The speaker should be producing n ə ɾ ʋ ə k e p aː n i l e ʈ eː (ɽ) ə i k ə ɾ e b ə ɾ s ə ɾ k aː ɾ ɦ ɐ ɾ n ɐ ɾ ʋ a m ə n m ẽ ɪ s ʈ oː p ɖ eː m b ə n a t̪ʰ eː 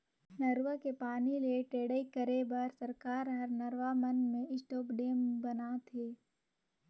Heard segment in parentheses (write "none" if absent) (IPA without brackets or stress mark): ɽ